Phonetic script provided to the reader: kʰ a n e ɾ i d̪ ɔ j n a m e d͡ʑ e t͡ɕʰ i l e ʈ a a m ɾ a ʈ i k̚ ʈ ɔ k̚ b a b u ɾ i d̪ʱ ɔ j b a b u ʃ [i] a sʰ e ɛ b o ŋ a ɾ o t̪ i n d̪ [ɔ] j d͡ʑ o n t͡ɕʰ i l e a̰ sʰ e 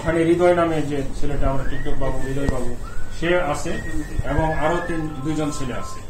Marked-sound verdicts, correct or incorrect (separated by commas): incorrect, incorrect